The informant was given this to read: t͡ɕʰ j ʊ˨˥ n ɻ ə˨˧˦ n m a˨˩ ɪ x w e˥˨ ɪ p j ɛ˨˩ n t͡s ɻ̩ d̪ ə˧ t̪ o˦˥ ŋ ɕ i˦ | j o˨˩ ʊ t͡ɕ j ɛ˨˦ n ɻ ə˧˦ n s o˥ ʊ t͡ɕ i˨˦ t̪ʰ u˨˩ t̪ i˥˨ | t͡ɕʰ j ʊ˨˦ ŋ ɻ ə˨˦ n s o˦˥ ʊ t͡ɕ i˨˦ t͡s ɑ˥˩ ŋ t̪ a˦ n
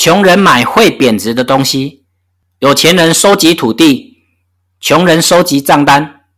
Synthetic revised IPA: t͡ɕʰ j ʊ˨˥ ŋ ɻ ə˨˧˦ n m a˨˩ ɪ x w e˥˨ ɪ p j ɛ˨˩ n t͡s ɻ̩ d̪ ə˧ t̪ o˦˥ ŋ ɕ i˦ | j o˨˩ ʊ t͡ɕʰ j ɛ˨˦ n ɻ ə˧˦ n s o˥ ʊ t͡ɕ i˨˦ t̪ʰ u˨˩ t̪ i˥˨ | t͡ɕʰ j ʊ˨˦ ŋ ɻ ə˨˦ n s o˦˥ ʊ t͡ɕ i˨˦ t͡s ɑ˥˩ ŋ t̪ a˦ n